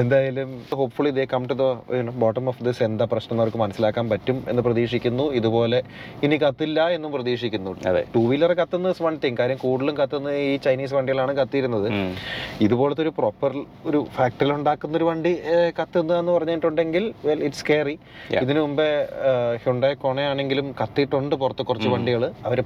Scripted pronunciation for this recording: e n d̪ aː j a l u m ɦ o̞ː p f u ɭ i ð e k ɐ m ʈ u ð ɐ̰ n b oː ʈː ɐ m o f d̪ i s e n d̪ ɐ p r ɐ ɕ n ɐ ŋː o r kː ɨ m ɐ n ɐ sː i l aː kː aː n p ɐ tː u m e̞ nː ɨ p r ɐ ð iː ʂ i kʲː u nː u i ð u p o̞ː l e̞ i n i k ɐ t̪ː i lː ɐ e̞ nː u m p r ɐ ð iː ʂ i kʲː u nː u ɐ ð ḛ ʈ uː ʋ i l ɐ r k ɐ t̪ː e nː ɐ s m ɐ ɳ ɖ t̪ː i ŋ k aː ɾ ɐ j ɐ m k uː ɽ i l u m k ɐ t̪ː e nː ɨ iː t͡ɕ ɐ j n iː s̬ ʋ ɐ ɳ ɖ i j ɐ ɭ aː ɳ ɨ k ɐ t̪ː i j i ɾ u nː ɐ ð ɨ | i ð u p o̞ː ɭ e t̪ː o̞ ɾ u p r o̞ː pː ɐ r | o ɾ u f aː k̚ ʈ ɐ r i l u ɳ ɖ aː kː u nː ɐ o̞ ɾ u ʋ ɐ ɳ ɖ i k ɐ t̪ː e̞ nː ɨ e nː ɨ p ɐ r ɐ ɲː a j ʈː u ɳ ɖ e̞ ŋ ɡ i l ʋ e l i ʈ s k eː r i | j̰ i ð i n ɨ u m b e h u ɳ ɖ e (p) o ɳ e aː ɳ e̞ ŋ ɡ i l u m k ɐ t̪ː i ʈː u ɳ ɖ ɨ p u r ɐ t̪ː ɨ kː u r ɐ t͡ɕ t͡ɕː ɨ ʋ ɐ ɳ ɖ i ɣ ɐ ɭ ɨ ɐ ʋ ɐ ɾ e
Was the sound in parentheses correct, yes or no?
no